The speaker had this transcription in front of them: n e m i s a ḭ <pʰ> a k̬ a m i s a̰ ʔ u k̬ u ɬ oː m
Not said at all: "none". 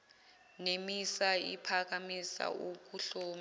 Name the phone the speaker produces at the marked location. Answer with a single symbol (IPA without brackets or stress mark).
pʰ